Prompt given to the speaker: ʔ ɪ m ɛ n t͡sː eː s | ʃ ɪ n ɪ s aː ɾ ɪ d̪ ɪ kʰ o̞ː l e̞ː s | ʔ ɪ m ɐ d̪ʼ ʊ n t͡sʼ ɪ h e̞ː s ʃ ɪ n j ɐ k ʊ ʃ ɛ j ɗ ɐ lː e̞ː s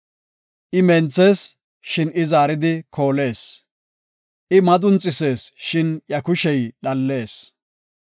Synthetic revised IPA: ʔ ɪ m ɛ n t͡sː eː s | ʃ ɪ n ɪ z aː ɾ ɪ d̪ ɪ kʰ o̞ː l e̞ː s | ʔ ɪ m ɐ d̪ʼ ʊ n t͡sʼ ɪ s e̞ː s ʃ ɪ n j ɐ k ʊ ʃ ɛ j ɗ ɐ lː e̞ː s